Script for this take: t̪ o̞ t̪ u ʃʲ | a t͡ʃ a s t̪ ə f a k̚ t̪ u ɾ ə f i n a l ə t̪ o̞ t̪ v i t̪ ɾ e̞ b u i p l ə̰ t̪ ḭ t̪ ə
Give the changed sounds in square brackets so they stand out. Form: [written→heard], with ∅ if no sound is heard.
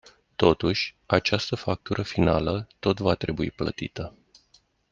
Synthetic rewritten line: t̪ o̞ t̪ u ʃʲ | a t͡ʃ a s t̪ ə f a k̚ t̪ u ɾ ə f i n a l ə t̪ o̞ t̪ v [i→a] t̪ ɾ e̞ b u i p l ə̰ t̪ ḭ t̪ ə